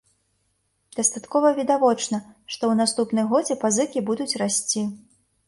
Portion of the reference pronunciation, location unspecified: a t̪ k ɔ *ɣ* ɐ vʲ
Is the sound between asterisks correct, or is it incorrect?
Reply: incorrect